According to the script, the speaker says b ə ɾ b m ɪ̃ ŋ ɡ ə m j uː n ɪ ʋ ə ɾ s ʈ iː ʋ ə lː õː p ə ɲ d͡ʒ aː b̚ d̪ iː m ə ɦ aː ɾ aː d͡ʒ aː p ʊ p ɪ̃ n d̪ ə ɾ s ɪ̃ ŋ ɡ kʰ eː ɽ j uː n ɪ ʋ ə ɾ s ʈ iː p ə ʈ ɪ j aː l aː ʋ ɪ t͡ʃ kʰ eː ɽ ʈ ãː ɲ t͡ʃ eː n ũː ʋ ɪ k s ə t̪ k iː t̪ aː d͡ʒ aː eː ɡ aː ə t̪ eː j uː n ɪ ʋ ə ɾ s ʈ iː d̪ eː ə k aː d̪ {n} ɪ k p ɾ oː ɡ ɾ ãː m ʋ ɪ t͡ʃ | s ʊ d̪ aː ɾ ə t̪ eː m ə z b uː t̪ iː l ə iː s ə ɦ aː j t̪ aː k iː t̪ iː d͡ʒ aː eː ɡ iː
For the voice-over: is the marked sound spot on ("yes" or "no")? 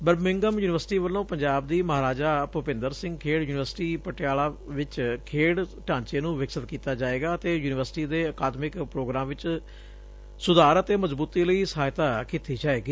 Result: no